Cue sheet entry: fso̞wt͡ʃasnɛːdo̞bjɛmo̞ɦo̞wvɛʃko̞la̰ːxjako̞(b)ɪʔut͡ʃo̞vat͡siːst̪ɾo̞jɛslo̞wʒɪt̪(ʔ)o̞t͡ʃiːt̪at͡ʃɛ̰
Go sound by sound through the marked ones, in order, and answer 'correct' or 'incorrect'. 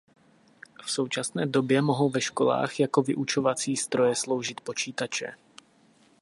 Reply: incorrect: v, incorrect: p

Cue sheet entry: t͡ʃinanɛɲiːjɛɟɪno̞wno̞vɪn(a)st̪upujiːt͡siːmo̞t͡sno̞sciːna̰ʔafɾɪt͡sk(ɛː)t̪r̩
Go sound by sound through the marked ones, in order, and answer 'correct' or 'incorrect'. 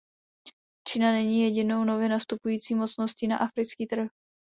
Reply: correct, incorrect: iː

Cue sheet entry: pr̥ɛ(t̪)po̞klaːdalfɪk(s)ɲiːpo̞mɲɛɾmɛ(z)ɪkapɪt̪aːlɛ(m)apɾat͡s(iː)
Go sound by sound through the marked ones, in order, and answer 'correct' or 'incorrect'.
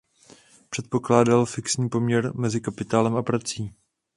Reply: correct, correct, correct, correct, correct

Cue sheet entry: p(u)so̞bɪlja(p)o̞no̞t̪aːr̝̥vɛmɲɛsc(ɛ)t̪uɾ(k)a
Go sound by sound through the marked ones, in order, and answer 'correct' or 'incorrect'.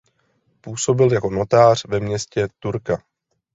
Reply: incorrect: uː, incorrect: k, correct, correct

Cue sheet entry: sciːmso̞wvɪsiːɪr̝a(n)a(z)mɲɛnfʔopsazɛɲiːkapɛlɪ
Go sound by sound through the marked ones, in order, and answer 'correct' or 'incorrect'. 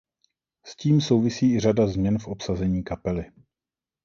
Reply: incorrect: d, correct

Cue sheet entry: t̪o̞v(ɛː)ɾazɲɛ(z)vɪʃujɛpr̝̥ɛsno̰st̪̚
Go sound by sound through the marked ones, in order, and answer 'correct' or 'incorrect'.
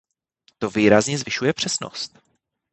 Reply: incorrect: iː, correct

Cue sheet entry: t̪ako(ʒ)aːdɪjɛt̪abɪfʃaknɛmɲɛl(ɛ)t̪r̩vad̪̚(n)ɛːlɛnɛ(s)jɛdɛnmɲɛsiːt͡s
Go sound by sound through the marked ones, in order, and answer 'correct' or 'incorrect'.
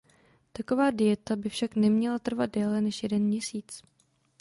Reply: incorrect: v, incorrect: a, incorrect: d, incorrect: ʃ

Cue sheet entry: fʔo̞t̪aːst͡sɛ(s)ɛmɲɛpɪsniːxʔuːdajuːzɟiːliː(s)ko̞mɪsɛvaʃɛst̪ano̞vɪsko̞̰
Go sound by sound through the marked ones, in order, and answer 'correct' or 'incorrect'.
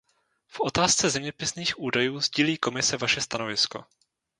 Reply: incorrect: z, incorrect: none

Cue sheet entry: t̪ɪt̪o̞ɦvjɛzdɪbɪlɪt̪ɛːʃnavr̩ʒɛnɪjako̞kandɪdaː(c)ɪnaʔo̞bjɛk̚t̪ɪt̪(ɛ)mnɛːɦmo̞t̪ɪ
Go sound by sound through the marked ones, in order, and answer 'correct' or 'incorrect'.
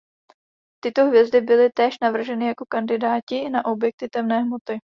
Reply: correct, correct

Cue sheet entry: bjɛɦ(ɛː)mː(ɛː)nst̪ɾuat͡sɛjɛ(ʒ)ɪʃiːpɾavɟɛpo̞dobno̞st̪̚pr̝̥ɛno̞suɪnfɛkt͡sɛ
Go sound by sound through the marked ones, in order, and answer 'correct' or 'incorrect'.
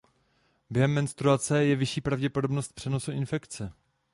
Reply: incorrect: ɛ, incorrect: ɛ, incorrect: v

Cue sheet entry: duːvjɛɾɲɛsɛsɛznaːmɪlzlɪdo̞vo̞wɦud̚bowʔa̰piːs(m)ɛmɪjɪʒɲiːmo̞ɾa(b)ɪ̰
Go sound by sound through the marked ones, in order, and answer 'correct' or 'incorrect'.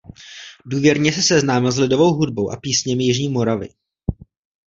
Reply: incorrect: ɲ, incorrect: v

